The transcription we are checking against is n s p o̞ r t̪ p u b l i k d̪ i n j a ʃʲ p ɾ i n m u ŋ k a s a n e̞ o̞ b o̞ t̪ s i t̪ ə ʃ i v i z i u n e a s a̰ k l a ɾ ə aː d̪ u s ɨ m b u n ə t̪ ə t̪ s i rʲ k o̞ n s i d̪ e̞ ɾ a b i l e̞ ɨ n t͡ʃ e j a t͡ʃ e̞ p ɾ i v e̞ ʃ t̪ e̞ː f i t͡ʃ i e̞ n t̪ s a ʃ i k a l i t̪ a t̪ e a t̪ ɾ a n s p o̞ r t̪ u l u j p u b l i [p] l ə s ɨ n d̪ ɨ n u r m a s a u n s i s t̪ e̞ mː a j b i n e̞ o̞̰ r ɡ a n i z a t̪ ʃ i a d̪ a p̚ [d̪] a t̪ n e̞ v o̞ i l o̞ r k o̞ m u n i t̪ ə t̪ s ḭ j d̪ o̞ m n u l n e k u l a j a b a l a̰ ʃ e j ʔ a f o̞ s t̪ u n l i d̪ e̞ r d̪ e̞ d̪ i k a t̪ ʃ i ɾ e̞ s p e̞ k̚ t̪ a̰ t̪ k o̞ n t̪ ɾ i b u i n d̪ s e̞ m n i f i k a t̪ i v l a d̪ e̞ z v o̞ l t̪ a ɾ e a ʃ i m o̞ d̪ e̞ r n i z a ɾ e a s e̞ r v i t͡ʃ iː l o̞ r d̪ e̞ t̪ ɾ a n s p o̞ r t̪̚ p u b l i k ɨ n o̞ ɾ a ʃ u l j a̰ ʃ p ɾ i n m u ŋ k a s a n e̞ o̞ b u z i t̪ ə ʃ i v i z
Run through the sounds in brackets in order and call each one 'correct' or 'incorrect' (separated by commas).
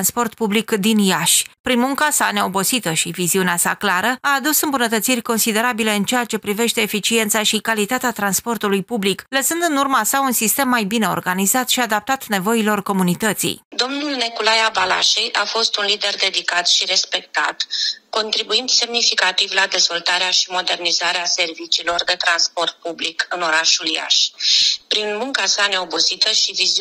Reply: incorrect, incorrect